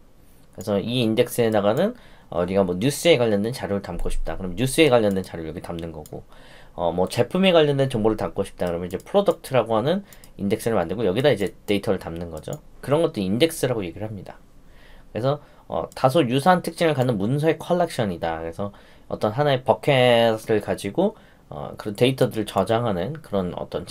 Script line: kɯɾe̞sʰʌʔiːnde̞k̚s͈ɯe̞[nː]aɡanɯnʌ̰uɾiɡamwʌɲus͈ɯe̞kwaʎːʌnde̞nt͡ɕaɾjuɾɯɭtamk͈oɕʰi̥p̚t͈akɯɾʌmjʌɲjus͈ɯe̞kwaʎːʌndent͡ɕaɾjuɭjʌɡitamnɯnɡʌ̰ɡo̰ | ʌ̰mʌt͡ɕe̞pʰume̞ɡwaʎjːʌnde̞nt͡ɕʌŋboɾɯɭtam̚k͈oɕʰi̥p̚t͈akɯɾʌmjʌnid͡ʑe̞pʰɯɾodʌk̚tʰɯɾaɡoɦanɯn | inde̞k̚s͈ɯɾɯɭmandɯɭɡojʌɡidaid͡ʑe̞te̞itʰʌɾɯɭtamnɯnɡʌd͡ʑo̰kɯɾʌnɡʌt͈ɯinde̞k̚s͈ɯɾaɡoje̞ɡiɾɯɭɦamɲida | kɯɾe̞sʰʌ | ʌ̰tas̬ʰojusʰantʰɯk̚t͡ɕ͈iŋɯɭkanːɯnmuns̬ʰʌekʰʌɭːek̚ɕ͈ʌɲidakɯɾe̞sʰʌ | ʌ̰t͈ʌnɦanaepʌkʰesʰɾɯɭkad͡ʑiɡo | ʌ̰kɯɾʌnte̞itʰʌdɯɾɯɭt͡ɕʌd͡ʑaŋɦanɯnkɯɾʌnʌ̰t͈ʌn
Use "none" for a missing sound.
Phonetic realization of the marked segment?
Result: n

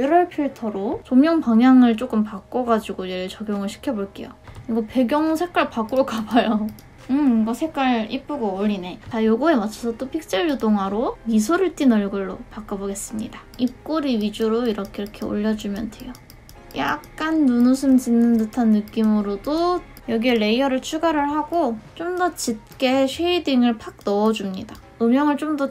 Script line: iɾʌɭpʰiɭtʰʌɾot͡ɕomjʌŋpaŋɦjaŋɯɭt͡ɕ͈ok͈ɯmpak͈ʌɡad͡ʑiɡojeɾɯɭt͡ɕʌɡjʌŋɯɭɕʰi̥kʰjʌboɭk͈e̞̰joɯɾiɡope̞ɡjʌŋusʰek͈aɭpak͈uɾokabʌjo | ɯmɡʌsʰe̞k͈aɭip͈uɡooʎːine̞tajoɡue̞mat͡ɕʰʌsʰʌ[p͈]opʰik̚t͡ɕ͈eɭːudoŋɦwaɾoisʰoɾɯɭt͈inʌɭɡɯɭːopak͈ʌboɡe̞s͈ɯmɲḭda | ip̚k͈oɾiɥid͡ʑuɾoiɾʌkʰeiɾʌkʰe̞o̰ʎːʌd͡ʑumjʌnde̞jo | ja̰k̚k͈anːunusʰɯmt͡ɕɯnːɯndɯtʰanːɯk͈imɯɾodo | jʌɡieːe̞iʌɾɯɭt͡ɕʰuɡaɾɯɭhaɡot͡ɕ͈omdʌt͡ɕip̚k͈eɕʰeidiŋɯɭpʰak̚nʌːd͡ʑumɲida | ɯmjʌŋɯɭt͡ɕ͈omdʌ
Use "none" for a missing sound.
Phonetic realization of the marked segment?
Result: t͈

